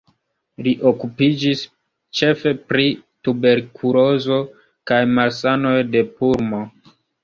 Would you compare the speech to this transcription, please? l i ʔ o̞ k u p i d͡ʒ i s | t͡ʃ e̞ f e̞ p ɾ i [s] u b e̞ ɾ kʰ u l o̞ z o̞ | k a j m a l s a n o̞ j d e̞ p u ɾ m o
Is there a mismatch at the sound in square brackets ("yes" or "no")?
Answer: yes